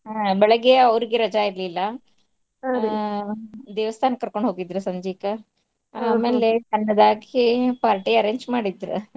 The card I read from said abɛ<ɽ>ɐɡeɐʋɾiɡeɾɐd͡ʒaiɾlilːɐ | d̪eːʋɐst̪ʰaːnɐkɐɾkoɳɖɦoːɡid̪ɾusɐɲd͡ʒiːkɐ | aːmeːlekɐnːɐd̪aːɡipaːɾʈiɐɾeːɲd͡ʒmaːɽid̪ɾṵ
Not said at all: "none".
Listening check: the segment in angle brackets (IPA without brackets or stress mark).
ɭ